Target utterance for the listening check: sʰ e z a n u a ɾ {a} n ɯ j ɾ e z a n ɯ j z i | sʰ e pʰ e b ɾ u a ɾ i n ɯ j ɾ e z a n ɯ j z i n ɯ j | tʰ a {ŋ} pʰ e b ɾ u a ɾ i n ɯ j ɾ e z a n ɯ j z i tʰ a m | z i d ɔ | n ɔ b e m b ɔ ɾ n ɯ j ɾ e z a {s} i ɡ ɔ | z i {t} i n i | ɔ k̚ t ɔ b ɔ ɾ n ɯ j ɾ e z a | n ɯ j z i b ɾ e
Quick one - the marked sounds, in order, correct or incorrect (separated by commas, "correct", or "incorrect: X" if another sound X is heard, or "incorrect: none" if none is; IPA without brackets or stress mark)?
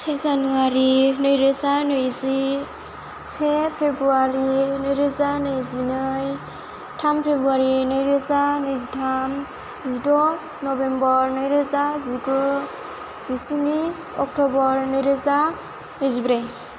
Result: incorrect: i, incorrect: m, incorrect: z, incorrect: s